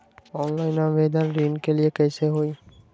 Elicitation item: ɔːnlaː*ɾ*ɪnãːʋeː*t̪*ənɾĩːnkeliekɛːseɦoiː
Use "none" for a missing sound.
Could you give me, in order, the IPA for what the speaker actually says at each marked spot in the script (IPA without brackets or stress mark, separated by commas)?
none, d̪